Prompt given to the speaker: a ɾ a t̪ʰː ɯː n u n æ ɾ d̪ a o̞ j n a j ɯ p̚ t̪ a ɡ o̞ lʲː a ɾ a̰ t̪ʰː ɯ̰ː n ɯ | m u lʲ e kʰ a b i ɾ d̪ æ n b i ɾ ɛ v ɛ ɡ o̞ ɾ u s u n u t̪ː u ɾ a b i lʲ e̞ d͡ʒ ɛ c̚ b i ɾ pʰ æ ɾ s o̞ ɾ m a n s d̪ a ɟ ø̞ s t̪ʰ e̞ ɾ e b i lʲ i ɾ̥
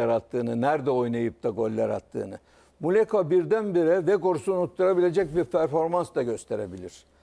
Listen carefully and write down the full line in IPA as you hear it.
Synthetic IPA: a ɾ a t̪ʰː ɯː n ɯ n æ ɾ d̪ ɛ o̞ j n a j ɯ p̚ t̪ a ɡ o̞ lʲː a ɾ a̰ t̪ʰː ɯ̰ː n ɯ | m u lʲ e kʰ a b i ɾ d̪ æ n b i ɾ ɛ v ɛ ɡ o̞ ɾ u s u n u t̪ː u ɾ a b i lʲ e̞ d͡ʒ ɛ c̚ b i ɾ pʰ æ ɾ f o̞ ɾ m a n s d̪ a ɟ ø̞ s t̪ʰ e̞ ɾ e b i lʲ i ɾ̥